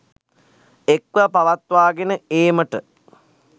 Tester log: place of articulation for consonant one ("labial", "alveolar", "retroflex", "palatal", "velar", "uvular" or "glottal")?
velar